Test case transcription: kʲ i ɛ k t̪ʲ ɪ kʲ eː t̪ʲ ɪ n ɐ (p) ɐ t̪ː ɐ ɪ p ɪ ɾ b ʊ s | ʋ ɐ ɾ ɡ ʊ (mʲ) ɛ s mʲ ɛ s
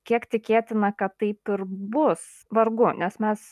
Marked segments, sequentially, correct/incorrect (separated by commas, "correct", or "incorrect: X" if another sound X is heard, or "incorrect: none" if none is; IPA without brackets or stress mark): incorrect: k, incorrect: nʲ